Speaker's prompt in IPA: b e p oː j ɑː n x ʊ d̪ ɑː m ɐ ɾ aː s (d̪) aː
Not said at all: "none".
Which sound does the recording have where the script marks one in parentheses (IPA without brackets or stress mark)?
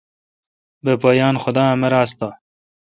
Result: t̪